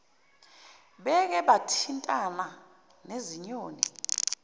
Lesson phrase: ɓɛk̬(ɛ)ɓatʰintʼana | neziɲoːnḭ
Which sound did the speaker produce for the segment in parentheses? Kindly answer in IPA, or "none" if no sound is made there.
ɛ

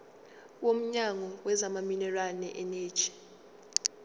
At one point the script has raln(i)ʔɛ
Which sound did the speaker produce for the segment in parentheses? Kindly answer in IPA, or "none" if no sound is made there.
ɛ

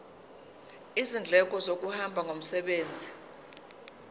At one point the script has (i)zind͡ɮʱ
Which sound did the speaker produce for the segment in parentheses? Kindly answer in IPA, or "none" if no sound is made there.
i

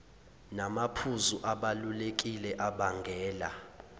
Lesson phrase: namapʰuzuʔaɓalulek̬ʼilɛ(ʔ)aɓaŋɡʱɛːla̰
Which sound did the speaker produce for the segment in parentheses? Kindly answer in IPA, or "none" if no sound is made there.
ʔ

